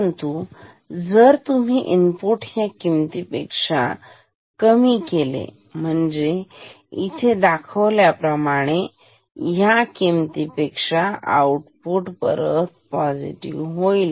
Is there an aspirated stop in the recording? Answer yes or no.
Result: yes